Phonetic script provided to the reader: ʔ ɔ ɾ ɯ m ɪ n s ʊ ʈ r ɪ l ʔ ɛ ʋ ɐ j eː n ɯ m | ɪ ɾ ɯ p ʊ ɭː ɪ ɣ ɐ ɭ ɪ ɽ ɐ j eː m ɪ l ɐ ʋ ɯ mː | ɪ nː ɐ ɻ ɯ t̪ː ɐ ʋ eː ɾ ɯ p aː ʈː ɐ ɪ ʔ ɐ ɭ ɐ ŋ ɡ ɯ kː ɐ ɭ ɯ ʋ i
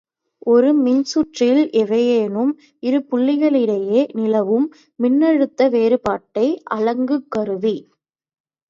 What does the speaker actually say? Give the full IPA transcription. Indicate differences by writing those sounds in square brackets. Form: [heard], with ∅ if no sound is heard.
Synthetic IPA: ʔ ɔ ɾ ɯ m ɪ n s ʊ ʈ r ɪ l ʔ ɛ ʋ ɐ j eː n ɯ m | ɪ ɾ ɯ p ʊ ɭː ɪ ɣ ɐ ɭ ɪ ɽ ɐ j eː [n] ɪ l ɐ ʋ ɯ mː | ɪ nː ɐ ɻ ɯ t̪ː ɐ ʋ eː ɾ ɯ p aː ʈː ɐ ɪ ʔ ɐ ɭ ɐ ŋ ɡ ɯ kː ɐ [ɾ] ɯ ʋ i

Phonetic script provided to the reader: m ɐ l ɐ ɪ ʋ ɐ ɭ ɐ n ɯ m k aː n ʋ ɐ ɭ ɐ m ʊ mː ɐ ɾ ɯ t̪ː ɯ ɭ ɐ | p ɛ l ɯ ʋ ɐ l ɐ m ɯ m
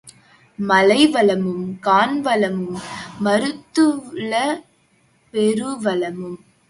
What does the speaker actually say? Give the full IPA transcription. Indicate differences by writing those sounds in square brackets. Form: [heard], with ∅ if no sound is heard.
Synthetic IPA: m ɐ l ɐ ɪ ʋ ɐ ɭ ɐ [m] ɯ m k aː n ʋ ɐ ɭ ɐ m [ɯ] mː ɐ ɾ ɯ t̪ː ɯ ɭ ɐ | p ɛ [ɾ] ɯ ʋ ɐ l ɐ m ɯ m

